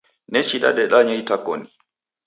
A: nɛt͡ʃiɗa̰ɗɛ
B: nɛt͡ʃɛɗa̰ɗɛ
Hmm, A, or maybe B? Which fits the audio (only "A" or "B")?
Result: A